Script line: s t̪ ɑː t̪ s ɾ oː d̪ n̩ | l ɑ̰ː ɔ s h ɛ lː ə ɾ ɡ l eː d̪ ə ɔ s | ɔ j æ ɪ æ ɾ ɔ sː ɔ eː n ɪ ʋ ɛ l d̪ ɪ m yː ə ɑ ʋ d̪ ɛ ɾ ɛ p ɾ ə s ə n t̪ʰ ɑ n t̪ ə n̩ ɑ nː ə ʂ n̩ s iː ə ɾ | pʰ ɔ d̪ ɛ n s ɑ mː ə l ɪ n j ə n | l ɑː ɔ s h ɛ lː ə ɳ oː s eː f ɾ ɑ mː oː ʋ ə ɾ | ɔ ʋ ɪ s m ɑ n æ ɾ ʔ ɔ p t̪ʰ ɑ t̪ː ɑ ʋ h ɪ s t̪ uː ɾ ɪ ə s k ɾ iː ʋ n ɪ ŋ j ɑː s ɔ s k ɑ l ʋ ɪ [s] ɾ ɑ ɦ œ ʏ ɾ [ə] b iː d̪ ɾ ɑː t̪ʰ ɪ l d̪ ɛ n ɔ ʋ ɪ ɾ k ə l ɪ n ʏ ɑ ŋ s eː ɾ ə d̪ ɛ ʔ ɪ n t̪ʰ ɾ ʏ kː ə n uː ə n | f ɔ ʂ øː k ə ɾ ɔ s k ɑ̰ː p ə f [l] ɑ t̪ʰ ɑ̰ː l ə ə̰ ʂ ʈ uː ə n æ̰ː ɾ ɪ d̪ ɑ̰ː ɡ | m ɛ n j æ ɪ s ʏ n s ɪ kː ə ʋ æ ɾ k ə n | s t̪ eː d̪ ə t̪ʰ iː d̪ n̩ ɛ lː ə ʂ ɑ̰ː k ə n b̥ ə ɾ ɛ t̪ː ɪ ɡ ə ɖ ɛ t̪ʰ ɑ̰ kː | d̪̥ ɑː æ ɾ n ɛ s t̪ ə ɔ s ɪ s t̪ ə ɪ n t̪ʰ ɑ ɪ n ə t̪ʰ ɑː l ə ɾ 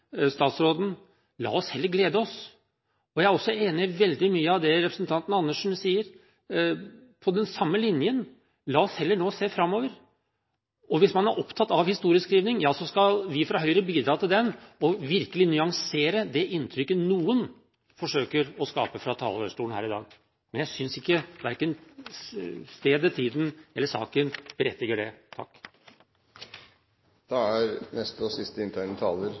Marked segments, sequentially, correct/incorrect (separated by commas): incorrect, correct, incorrect